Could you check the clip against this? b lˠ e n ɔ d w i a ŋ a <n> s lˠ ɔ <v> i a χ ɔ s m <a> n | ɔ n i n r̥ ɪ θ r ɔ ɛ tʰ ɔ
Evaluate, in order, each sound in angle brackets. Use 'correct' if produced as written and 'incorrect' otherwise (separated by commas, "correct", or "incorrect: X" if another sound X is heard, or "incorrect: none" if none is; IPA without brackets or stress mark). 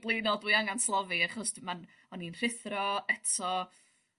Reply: correct, correct, correct